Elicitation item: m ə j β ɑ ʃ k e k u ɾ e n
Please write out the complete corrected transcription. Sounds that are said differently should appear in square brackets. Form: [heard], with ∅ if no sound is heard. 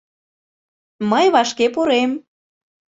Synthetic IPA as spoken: m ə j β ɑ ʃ k e [p] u ɾ e [m]